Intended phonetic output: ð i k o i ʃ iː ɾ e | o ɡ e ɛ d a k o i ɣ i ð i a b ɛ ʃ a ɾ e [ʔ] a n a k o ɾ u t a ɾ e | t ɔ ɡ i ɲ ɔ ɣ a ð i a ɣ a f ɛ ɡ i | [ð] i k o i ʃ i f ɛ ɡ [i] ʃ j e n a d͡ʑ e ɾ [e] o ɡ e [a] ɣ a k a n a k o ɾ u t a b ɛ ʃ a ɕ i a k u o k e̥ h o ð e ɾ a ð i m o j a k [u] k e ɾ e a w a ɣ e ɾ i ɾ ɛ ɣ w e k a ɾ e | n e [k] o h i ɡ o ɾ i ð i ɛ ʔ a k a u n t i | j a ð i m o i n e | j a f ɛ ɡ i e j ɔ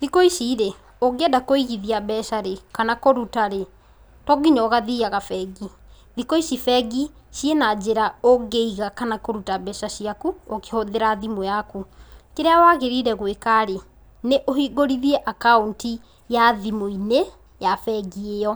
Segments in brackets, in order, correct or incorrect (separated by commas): incorrect, correct, correct, incorrect, incorrect, correct, incorrect